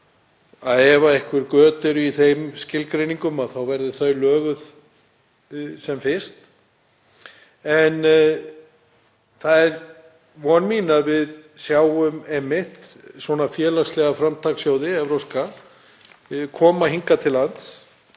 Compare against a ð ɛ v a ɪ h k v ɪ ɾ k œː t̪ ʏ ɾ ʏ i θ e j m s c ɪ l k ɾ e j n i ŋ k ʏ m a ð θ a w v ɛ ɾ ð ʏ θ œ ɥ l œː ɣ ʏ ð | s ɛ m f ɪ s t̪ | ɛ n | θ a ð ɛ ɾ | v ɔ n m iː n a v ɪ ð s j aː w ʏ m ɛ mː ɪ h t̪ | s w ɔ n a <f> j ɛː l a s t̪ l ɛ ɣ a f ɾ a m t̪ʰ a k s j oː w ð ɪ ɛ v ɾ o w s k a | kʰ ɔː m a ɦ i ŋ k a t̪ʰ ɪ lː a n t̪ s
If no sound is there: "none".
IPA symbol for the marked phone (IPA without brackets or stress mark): f